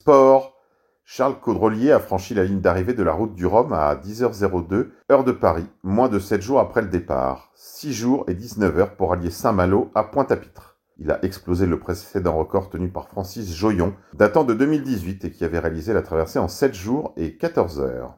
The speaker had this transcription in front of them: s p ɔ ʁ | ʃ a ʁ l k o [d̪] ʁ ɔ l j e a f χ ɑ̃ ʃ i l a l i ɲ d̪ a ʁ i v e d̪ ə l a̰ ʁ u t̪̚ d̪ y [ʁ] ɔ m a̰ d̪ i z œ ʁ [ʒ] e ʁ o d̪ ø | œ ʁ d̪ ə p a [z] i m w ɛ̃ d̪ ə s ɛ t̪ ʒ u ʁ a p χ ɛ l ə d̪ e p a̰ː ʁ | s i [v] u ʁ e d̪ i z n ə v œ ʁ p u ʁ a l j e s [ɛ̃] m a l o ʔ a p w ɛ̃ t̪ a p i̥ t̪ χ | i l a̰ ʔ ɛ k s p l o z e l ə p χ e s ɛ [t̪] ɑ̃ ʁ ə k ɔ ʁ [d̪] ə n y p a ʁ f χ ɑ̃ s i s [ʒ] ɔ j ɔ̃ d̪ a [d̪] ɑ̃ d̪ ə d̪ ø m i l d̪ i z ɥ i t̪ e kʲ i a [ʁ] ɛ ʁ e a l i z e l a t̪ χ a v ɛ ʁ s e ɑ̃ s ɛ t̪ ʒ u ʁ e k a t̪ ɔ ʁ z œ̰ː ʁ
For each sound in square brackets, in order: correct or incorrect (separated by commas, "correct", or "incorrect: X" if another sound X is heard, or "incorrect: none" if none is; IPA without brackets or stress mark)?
correct, correct, incorrect: z, incorrect: ʁ, incorrect: ʒ, correct, incorrect: d̪, incorrect: t̪, correct, incorrect: t̪, incorrect: v